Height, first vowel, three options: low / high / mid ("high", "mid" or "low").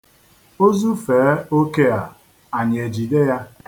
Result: mid